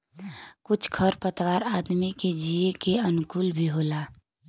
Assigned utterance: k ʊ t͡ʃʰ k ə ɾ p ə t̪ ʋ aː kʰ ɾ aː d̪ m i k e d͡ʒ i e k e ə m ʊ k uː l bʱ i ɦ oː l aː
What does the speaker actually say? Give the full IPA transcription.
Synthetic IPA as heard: k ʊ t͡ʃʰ kʰ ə ɾ p ə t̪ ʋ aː ɾ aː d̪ m i k e d͡ʒ i e k e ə n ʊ k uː l bʱ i ɦ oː l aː